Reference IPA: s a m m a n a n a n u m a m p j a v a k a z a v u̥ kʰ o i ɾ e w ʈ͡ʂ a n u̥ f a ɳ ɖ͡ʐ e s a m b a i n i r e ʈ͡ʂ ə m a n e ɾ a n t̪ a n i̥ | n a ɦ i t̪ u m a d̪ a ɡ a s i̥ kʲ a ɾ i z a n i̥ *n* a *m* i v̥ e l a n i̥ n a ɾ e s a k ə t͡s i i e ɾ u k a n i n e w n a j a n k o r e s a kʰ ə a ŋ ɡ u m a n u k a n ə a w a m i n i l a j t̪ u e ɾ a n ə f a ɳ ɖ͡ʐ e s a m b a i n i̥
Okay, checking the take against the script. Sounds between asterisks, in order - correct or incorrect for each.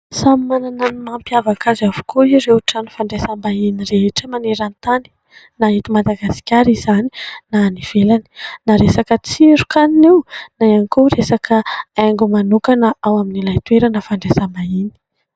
correct, incorrect: n

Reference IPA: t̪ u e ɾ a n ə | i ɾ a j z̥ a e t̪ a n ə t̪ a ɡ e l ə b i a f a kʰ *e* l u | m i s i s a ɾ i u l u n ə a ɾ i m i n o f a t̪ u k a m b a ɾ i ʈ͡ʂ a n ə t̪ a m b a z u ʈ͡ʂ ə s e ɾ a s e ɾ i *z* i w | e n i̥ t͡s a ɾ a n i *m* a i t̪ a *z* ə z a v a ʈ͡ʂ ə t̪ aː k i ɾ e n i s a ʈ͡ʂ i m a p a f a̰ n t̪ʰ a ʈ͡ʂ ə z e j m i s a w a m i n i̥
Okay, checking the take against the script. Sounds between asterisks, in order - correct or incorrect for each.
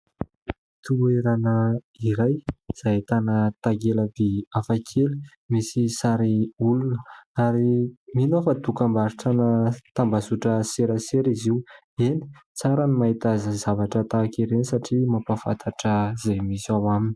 correct, correct, correct, correct

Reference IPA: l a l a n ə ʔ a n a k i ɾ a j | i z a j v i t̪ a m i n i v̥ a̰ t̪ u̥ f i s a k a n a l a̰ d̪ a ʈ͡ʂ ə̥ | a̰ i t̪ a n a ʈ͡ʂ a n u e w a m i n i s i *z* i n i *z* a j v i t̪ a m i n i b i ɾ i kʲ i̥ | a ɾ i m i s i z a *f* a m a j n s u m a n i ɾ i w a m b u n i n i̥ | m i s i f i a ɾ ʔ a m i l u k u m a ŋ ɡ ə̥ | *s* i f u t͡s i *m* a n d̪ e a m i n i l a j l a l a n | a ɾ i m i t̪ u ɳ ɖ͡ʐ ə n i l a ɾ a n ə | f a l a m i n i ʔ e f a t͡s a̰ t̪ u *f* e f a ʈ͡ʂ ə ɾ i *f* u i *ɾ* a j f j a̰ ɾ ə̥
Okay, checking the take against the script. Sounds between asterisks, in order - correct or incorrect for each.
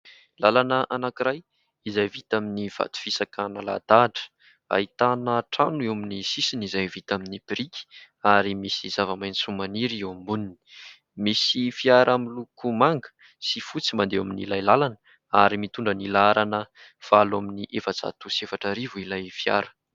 incorrect: s, correct, incorrect: v, correct, correct, incorrect: s, incorrect: v, incorrect: l

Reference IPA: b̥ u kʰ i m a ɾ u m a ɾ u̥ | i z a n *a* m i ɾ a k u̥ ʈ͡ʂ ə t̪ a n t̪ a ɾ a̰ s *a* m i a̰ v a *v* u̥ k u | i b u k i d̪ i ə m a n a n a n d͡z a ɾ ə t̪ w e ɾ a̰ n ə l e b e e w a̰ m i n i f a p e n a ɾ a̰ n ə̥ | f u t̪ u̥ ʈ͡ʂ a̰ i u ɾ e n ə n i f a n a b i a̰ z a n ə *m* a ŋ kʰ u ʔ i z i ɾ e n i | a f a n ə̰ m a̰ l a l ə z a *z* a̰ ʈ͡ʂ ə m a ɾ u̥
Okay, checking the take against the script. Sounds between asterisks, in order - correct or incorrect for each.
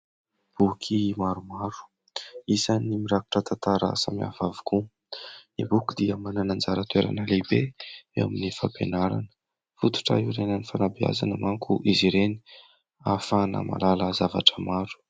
incorrect: i, correct, correct, correct, incorrect: v

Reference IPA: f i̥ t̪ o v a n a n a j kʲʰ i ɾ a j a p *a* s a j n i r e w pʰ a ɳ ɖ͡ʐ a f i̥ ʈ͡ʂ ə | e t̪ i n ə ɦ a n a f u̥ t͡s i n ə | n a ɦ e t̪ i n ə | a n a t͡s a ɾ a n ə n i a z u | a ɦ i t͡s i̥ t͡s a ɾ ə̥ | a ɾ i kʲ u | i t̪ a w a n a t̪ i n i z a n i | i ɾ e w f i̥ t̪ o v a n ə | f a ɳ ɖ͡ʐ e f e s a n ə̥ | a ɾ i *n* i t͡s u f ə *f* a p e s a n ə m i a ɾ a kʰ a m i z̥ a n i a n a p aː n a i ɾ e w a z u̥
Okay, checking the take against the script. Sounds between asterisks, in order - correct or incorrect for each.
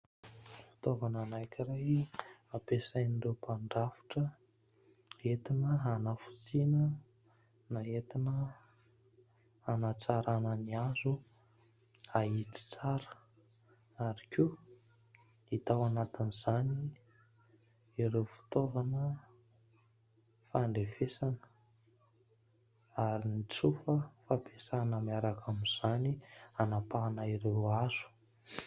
incorrect: e, correct, correct

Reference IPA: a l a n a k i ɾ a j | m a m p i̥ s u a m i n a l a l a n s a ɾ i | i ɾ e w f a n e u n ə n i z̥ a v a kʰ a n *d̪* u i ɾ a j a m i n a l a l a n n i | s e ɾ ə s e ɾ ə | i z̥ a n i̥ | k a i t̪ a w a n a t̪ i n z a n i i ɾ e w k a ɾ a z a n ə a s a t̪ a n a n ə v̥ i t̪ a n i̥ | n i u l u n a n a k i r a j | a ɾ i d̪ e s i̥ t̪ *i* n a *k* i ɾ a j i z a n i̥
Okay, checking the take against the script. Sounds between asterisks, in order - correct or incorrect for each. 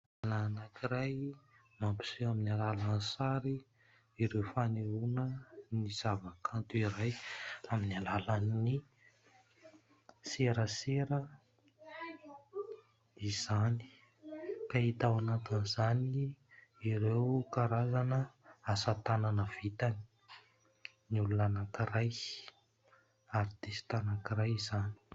incorrect: t̪, incorrect: a, correct

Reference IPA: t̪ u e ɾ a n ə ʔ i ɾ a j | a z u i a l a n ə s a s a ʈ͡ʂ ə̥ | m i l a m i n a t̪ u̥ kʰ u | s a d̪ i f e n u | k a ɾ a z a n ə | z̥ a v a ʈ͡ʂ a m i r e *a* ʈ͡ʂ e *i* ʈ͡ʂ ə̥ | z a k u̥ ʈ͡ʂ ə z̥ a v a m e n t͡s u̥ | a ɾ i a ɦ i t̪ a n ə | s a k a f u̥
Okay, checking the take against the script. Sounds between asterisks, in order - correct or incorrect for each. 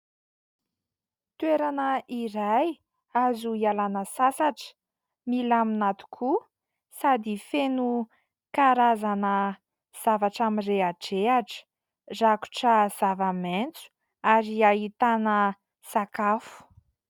correct, incorrect: a

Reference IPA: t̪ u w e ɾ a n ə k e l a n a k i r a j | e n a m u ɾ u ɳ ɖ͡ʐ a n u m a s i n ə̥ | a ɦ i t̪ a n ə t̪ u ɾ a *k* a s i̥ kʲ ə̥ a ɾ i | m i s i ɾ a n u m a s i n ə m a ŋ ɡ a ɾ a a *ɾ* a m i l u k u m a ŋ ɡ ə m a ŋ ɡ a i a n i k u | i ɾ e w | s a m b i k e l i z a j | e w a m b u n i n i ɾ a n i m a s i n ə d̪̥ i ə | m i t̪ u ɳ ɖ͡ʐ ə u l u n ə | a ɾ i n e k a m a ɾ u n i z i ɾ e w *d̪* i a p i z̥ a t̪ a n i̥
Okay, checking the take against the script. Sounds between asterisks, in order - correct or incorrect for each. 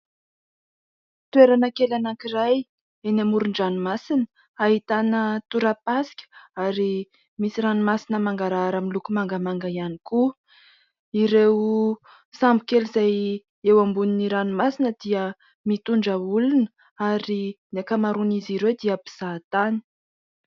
incorrect: p, correct, correct

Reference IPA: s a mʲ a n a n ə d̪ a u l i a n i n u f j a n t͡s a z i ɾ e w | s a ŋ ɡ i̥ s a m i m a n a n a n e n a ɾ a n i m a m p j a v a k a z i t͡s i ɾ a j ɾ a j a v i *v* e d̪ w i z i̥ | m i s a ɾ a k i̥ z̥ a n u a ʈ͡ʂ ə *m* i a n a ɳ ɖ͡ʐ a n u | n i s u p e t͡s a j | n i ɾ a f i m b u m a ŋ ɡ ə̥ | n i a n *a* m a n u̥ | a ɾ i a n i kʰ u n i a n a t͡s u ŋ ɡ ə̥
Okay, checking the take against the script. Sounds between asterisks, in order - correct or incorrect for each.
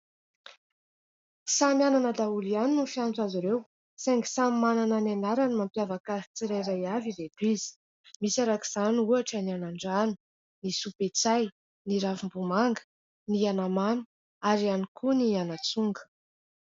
correct, incorrect: n, correct

